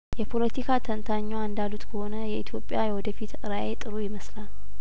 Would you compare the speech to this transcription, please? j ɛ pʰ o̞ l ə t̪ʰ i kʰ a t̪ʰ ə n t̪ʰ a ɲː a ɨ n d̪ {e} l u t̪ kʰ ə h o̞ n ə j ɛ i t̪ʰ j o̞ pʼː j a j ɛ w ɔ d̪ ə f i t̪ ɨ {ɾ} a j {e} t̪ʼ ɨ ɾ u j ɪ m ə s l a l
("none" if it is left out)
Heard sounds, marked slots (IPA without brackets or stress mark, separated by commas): a, ɾ, e